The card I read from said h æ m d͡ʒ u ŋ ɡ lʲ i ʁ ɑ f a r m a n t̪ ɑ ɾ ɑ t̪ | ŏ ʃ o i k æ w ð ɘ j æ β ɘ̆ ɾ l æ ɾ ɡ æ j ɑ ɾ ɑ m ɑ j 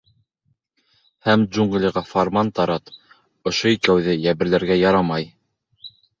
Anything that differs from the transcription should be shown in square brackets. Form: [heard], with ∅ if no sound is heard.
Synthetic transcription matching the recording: h æ m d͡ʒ u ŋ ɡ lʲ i ʁ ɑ f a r m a n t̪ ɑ ɾ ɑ t̪ | ŏ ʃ o i k æ w ð ɘ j æ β ɘ̆ ɾ l æ ɾ ɡ æ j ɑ ɾ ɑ m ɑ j